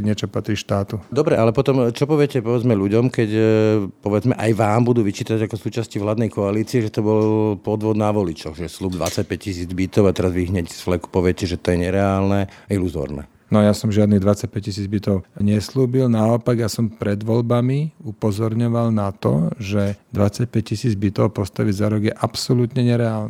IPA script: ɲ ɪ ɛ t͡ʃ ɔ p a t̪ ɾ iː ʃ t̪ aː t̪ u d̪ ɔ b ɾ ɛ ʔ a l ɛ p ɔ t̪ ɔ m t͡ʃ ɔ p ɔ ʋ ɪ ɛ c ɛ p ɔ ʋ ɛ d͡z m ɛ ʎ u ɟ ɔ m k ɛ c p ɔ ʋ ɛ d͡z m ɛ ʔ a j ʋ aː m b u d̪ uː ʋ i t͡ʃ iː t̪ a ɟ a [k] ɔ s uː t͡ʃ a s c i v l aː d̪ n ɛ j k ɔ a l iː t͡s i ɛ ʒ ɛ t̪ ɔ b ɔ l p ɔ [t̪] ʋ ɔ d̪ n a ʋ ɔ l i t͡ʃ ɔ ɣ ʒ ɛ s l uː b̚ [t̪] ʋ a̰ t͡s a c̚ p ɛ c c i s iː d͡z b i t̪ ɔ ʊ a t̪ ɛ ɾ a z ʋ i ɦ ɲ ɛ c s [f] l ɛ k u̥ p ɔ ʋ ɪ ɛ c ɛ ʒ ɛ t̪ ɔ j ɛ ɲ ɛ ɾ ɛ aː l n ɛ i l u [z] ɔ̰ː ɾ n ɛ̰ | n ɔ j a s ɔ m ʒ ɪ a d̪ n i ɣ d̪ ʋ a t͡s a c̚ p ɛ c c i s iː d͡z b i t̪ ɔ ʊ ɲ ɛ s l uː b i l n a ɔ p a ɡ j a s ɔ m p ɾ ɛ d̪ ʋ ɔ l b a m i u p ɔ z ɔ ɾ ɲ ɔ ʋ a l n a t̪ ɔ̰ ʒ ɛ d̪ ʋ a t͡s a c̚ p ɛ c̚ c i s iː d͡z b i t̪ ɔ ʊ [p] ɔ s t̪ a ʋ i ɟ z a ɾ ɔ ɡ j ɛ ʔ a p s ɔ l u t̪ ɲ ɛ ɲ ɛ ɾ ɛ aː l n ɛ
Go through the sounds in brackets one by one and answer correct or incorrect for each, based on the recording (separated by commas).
correct, incorrect, incorrect, correct, correct, correct